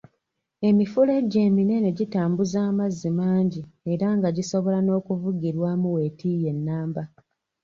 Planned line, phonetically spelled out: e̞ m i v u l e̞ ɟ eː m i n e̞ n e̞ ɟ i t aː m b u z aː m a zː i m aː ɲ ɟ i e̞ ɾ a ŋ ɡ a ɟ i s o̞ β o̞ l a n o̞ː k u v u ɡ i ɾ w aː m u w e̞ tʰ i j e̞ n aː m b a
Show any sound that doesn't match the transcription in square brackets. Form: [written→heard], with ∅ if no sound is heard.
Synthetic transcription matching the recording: e̞ m i [v→f] u l e̞ ɟ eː m i n e̞ n e̞ ɟ i t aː m b u z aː m a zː i m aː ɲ ɟ i e̞ ɾ a ŋ ɡ a ɟ i s o̞ β o̞ l a n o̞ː k u v u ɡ i ɾ w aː m u w e̞ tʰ i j e̞ [n→nː] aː m b a